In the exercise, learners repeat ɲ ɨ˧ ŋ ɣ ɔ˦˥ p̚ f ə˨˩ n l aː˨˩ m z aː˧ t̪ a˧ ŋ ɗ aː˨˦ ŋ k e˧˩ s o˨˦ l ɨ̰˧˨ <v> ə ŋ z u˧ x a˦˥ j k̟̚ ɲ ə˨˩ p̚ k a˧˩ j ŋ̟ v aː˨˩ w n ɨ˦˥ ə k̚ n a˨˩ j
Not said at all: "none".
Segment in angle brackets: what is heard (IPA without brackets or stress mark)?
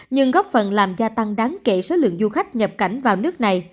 none